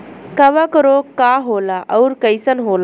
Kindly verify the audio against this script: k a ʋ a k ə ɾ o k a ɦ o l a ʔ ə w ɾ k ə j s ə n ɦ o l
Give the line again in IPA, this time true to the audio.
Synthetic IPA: k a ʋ a k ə ɾ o k a ɦ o l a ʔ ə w ɾ k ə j s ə n ɦ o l